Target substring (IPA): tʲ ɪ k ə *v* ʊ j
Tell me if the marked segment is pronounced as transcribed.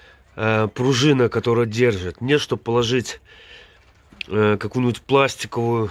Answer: yes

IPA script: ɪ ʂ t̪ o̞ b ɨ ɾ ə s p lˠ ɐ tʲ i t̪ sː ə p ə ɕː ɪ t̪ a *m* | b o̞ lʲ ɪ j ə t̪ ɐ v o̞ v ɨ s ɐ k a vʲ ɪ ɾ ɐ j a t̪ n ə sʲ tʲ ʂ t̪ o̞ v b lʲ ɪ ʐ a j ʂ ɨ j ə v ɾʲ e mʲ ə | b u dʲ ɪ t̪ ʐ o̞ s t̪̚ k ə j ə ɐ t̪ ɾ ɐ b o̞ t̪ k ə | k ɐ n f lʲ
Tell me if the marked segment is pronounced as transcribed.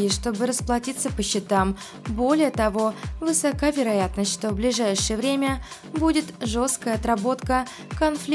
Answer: yes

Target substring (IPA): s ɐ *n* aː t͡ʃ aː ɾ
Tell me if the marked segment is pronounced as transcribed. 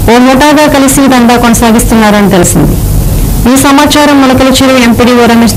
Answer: no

